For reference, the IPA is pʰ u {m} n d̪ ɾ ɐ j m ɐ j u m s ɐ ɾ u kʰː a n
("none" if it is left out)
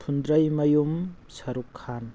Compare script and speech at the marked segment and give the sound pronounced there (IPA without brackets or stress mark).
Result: none